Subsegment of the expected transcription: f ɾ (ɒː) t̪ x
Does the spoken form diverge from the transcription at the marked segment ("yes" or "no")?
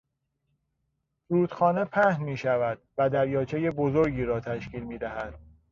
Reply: yes